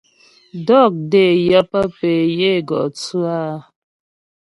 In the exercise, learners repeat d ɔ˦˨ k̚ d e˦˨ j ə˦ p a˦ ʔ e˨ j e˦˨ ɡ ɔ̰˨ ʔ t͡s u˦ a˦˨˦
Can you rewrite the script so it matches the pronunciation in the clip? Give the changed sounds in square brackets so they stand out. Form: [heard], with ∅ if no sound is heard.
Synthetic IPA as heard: d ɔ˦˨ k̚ d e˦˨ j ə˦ p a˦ [p] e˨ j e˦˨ ɡ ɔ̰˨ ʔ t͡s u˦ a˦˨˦